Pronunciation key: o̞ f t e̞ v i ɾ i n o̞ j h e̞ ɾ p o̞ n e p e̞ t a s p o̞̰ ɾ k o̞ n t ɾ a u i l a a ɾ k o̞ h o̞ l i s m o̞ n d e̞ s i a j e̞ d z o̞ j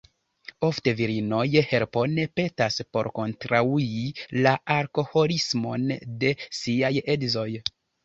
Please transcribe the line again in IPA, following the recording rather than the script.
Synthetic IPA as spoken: o̞ f t e̞ v i ɾ i n o̞ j h e̞ ɾ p o̞ n e p e̞ t a s p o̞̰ ɾ k o̞ n t ɾ a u i l a a ɾ k o̞ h o̞ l i s m o̞ n d e̞ s i a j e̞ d z o̞ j